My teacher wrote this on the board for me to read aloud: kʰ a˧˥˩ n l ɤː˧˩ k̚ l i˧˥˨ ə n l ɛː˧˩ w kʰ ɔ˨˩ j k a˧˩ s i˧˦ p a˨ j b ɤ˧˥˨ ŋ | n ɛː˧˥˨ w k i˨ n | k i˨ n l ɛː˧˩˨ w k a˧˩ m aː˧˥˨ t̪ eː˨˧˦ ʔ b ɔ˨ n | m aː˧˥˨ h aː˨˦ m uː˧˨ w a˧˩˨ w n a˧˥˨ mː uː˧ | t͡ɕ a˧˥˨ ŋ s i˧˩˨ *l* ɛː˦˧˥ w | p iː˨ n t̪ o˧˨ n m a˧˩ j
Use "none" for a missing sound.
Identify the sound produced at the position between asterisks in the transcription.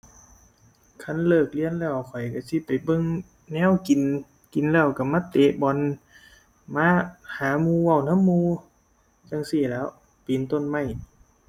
l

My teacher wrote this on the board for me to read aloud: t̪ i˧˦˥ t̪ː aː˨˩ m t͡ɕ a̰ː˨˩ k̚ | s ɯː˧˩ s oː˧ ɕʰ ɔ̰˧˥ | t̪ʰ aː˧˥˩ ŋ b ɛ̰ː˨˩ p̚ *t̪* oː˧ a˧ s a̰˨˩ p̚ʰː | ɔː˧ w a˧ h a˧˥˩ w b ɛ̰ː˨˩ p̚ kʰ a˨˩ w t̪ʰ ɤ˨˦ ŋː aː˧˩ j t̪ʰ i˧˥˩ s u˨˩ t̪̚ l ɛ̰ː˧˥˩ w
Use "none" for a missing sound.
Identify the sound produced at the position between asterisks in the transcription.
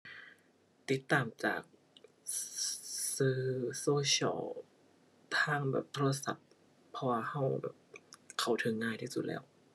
t̪ʰ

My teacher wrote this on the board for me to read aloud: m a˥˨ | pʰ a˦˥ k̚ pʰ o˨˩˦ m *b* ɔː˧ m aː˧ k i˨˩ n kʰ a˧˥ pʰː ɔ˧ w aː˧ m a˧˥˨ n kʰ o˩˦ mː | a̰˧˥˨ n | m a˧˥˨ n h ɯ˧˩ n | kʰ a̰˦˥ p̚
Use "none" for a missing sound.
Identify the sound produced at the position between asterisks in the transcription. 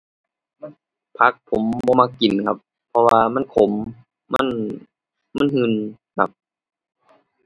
b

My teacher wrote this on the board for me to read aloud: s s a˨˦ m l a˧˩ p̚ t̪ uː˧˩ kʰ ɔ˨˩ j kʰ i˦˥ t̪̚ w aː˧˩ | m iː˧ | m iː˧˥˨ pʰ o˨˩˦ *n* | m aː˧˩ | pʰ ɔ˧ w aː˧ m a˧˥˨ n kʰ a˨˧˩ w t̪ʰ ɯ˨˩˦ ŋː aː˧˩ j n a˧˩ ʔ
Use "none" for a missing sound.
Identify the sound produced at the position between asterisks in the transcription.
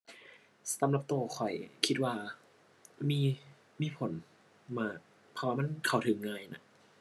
n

